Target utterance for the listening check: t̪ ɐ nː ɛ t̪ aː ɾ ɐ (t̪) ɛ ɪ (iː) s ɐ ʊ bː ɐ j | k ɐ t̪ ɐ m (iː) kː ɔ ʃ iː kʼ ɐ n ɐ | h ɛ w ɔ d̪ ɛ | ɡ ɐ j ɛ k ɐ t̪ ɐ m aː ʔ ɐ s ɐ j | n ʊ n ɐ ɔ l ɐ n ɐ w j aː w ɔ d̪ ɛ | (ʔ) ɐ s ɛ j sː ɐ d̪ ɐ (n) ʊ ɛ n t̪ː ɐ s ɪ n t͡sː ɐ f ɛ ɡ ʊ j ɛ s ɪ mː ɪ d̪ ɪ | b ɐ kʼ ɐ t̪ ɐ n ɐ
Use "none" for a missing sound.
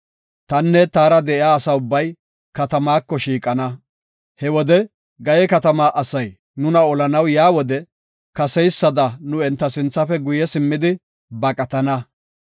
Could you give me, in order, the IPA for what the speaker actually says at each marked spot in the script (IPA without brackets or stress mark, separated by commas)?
d̪, aː, aː, k, n